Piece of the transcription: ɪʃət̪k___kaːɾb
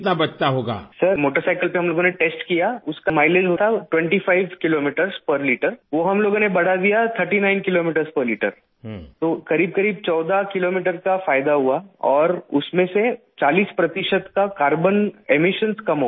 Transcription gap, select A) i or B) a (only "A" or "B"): B